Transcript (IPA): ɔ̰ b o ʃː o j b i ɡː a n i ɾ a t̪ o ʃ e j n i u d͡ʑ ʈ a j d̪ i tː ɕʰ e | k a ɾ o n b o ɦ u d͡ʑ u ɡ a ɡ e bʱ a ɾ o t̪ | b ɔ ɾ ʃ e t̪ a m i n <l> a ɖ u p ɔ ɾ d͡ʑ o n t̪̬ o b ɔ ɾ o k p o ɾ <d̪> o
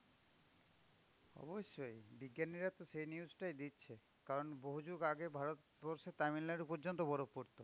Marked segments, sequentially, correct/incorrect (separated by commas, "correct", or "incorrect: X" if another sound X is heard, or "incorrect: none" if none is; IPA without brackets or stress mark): correct, incorrect: t̪